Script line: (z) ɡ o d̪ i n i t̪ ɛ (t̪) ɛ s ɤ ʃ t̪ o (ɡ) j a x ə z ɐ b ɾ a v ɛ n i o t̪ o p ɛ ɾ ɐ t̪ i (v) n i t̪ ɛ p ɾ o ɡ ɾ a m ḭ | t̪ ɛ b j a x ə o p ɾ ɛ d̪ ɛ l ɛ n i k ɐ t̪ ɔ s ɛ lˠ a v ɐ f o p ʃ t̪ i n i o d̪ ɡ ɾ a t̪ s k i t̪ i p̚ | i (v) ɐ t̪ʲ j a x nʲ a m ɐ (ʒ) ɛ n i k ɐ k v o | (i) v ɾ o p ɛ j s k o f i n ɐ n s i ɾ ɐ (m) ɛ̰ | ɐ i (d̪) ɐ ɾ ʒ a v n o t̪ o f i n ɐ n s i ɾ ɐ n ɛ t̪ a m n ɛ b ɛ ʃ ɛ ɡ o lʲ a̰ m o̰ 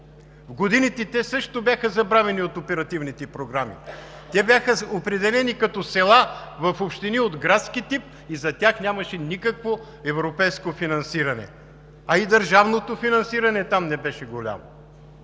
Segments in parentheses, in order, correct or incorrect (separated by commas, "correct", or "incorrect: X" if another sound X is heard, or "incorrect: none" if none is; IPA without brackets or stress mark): incorrect: v, correct, incorrect: b, correct, incorrect: z, incorrect: ʃ, incorrect: ɛ, incorrect: n, correct